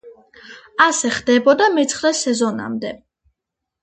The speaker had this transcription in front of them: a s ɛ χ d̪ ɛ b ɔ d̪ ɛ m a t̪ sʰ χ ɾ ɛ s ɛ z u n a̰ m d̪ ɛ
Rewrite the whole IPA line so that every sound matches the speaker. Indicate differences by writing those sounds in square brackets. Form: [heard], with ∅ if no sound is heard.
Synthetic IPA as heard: a s ɛ χ d̪ ɛ b ɔ d̪ [a] m [ɛ] t̪ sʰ χ ɾ ɛ s ɛ z [ɔ] n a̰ m d̪ ɛ